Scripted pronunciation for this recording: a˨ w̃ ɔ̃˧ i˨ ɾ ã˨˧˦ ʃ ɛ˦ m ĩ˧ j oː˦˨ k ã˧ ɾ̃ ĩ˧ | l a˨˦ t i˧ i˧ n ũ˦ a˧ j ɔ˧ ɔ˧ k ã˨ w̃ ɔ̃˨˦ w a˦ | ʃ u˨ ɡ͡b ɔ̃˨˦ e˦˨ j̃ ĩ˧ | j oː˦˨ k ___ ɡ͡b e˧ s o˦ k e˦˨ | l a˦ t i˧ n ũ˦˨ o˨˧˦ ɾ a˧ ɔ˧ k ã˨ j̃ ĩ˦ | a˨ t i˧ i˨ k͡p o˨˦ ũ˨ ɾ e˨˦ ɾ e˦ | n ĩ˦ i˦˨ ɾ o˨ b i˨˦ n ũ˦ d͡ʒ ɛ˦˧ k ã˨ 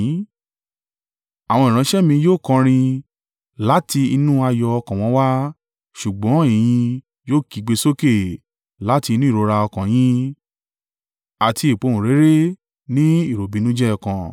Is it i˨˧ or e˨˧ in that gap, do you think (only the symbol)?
i˨˧